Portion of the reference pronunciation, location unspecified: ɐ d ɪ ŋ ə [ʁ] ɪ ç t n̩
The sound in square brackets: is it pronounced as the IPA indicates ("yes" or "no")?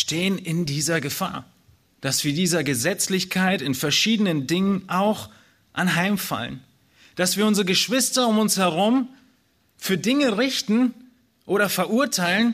yes